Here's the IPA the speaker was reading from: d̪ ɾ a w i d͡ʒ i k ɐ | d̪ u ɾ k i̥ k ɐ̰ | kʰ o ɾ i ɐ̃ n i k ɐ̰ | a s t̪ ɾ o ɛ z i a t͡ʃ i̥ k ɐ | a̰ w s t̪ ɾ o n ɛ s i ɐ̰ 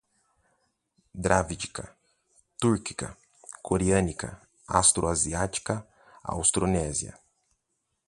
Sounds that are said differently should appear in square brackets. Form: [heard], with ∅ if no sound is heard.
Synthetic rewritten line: d̪ ɾ a [v] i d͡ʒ i k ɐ | [t̪] u ɾ k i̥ k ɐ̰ | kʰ o ɾ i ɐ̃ n i k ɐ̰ | a s t̪ ɾ o [a] z i a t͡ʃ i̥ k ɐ | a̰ w s t̪ ɾ o n ɛ [z] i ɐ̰

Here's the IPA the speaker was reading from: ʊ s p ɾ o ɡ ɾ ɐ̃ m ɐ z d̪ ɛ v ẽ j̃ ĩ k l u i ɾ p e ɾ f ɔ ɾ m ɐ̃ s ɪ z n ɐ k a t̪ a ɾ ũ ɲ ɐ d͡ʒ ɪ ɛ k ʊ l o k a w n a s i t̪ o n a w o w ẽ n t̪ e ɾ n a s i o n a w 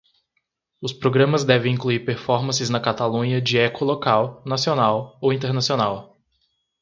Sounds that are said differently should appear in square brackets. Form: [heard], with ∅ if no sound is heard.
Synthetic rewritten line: ʊ s p ɾ o ɡ ɾ ɐ̃ m ɐ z d̪ ɛ v ẽ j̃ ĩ k l u i ɾ p e ɾ f ɔ ɾ m ɐ̃ s ɪ z n ɐ k a t̪ a [l] ũ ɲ ɐ d͡ʒ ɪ ɛ k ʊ l o k a w n a s i [∅] o n a w o w [ĩ] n t̪ e ɾ n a s i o n a w

